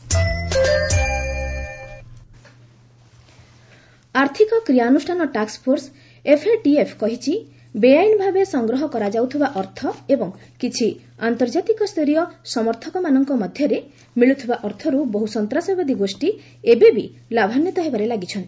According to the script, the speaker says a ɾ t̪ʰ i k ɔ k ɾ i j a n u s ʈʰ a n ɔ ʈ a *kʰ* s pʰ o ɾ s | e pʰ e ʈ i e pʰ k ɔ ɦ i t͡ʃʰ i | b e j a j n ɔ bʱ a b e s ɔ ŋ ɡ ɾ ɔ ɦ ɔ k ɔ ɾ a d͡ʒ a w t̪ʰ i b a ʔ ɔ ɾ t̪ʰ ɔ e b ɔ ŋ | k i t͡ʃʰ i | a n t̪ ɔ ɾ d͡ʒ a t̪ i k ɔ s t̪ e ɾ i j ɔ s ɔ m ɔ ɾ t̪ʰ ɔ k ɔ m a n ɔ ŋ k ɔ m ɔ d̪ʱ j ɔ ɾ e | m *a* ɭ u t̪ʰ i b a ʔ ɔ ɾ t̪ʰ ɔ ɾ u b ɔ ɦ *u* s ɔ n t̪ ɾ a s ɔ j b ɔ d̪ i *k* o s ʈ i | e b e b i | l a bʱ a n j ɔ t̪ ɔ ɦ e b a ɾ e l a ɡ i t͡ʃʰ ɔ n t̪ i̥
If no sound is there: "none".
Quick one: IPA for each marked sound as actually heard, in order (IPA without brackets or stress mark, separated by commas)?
k, i, u, ɡ